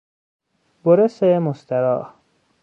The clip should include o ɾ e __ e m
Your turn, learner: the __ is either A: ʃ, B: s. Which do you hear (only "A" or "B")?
B